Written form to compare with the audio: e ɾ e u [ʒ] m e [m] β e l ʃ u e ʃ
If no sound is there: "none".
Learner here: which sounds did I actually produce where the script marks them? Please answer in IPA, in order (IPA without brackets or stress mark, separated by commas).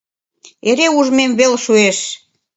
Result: ʒ, m